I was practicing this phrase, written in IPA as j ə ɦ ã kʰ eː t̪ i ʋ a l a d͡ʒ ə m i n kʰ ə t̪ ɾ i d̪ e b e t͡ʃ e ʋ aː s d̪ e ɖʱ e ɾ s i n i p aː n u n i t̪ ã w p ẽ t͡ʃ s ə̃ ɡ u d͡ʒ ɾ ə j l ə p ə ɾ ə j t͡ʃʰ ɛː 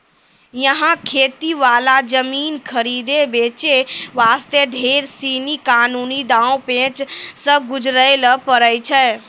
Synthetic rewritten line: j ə ɦ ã kʰ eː t̪ i ʋ a l a d͡ʒ ə m i n kʰ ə ɾ i d̪ e b e t͡ʃ e ʋ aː s t̪ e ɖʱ e ɾ s i n i k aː n u n i d̪ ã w p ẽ t͡ʃ s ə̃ ɡ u d͡ʒ ɾ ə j l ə p ə ɾ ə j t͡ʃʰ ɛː